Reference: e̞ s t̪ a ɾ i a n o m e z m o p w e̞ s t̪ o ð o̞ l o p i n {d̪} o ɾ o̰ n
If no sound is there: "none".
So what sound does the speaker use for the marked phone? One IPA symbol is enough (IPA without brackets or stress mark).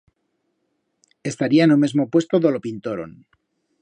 t̪